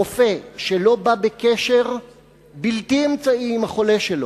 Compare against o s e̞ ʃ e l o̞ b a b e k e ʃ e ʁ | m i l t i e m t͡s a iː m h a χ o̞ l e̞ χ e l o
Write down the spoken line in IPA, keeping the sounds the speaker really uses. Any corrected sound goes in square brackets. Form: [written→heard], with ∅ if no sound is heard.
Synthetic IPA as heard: o [s→f] e̞ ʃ e l o̞ b a b e k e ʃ e ʁ | [m→b] i l t i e m t͡s a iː m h a χ o̞ l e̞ [χ→ʃ] e l o